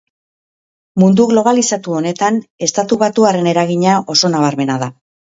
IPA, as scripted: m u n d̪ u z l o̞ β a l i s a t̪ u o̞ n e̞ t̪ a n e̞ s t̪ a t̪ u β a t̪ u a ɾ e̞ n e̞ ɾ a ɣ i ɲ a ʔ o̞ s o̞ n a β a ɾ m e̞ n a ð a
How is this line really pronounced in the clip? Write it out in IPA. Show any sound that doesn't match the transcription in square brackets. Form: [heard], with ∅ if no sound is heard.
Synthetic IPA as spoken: m u n d̪ u [ɣ] l o̞ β a l i s a t̪ u o̞ n e̞ t̪ a n e̞ s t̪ a t̪ u β a t̪ u a ɾ e̞ n e̞ ɾ a ɣ i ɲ a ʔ o̞ s o̞ n a β a ɾ m e̞ n a ð a